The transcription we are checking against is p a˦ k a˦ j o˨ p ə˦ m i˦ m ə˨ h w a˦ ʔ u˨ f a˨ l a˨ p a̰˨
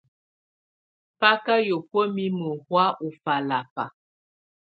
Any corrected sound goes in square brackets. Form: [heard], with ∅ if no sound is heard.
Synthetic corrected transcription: p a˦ k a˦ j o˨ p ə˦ m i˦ m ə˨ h w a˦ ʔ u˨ f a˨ l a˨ p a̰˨